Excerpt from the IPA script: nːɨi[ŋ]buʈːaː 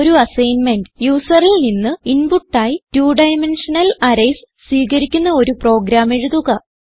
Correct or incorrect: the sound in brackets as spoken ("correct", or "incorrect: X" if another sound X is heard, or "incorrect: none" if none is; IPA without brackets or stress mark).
incorrect: n